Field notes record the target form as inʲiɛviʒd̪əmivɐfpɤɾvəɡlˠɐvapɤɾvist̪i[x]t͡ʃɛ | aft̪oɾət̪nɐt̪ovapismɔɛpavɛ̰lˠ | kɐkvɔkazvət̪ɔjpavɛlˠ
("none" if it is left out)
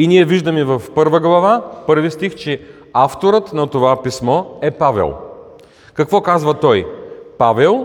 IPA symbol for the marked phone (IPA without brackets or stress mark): x